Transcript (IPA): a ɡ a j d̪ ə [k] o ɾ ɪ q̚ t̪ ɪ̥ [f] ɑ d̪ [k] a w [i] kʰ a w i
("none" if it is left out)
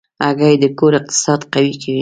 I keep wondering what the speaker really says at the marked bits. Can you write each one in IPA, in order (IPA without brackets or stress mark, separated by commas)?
k, s, q, i